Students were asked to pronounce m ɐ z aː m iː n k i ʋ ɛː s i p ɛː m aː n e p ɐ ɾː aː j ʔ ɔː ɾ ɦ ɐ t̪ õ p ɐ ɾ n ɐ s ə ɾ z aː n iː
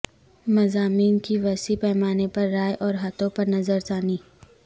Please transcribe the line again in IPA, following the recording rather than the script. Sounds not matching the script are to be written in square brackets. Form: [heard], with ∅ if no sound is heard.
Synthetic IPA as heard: m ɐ z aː m iː n k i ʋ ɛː s i p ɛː m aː n e p ɐ ɾː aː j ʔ ɔː ɾ ɦ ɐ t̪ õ p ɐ ɾ n ɐ [z] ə ɾ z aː n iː